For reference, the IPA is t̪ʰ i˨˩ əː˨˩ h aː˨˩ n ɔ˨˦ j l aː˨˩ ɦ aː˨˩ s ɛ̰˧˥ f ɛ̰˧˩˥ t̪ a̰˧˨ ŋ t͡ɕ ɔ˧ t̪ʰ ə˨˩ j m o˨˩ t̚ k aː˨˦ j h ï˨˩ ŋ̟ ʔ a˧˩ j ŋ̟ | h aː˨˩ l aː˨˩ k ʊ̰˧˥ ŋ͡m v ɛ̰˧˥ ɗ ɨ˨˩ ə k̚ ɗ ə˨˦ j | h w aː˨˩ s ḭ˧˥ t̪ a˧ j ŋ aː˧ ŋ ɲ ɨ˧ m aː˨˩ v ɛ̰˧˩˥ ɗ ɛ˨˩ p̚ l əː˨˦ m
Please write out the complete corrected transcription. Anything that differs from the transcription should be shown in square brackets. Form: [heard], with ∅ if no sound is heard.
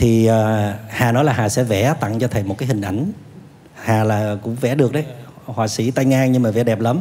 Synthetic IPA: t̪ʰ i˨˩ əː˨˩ h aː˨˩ n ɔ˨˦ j l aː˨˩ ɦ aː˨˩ s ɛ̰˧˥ [v] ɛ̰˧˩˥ t̪ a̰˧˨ ŋ t͡ɕ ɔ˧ t̪ʰ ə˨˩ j m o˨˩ t̚ k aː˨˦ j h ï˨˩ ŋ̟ ʔ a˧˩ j ŋ̟ | h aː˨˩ l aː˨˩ k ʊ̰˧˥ ŋ͡m v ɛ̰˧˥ ɗ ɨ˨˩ ə k̚ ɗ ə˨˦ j | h w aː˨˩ s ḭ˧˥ t̪ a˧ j ŋ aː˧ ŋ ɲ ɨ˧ m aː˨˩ v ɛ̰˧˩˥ ɗ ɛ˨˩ p̚ l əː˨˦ m